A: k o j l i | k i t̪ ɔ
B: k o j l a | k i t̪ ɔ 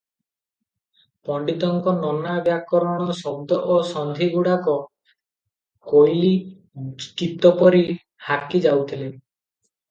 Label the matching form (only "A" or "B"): A